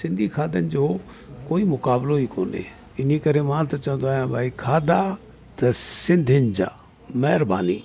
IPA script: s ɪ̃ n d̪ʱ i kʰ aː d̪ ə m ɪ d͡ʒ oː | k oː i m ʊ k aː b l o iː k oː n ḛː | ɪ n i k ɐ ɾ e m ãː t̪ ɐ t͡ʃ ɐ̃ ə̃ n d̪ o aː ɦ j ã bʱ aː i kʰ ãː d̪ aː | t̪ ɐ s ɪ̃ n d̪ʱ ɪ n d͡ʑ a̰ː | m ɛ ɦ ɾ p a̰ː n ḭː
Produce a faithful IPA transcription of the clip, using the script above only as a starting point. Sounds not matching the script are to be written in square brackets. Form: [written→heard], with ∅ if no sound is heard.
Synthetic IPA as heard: s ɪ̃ n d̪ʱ i kʰ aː d̪ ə [m→n] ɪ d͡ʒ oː | k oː i m ʊ k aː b l o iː k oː n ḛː | ɪ n i k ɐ ɾ e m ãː t̪ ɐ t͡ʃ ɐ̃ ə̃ n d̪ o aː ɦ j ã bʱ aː i kʰ [ãː→aː] d̪ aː | t̪ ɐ s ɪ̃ n d̪ʱ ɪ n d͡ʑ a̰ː | m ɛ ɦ ɾ [p→b] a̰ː n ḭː